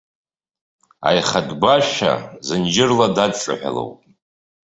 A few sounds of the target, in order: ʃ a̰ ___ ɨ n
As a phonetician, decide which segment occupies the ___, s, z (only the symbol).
z